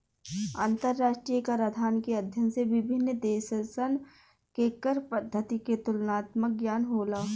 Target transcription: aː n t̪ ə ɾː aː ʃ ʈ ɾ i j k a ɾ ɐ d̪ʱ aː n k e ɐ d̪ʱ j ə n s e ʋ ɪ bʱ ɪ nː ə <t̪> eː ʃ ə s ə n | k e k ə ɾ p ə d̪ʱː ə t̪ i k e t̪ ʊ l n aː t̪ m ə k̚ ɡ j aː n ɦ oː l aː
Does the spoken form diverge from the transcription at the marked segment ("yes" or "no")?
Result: yes